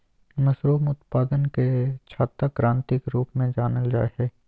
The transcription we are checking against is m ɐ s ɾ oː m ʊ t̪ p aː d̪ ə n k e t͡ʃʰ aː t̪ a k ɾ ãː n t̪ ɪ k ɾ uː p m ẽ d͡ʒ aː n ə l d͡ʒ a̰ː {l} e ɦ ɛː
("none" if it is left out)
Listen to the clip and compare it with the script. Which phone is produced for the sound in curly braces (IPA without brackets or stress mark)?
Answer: none